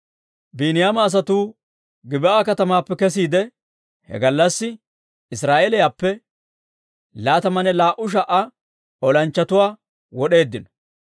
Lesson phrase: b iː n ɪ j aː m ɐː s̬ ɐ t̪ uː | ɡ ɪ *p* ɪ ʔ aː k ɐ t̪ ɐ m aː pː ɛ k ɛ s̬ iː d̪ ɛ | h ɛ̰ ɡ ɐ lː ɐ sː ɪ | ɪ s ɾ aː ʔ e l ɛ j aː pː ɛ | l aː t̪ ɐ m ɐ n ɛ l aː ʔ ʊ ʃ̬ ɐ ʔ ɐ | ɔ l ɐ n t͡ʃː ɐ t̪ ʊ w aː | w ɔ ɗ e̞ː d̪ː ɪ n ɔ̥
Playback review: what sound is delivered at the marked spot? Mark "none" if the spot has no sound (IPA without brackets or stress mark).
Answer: b